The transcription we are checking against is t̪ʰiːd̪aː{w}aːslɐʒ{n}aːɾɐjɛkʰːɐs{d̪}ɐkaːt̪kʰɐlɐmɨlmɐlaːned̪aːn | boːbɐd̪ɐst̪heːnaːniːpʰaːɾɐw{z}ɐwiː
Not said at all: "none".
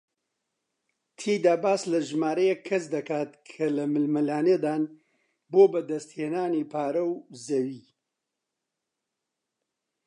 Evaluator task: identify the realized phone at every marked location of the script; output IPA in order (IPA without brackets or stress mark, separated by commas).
b, m, d̪, z